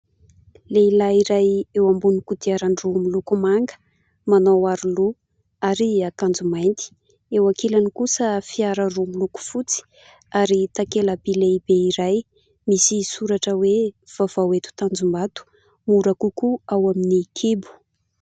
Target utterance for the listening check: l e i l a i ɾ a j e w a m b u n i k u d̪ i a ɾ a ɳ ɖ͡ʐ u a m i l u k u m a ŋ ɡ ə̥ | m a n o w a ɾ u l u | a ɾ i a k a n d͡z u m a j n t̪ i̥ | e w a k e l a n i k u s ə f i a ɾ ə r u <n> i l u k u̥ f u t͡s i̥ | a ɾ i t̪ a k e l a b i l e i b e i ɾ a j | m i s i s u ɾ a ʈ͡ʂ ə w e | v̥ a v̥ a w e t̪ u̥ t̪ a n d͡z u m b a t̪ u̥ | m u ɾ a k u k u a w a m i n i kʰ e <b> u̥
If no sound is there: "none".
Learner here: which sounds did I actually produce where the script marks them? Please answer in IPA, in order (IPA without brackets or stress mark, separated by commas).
m, b